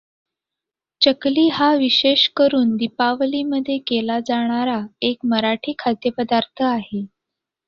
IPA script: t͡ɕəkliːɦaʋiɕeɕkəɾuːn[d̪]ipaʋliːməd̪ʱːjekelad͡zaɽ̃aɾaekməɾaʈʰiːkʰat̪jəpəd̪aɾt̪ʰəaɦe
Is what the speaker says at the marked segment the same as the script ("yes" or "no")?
yes